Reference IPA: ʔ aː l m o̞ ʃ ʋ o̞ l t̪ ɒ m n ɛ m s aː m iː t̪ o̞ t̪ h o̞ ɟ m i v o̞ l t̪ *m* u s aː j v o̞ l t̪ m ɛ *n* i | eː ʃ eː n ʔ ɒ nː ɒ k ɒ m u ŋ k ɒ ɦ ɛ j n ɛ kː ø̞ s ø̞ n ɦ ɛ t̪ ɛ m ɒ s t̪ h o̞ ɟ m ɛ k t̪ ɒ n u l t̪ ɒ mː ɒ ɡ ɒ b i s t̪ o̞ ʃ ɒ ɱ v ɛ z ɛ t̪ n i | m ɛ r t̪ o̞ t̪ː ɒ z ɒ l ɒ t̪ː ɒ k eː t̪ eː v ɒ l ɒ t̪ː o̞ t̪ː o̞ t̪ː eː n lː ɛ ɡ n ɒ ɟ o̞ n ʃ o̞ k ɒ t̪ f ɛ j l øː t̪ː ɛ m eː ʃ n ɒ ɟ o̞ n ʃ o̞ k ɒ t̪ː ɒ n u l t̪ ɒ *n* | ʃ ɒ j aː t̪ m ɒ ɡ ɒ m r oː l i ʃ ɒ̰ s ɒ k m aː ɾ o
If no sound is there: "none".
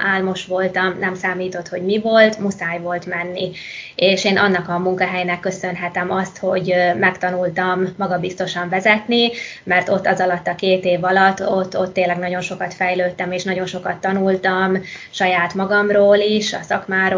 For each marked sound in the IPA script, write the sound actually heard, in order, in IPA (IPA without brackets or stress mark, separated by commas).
m, nː, m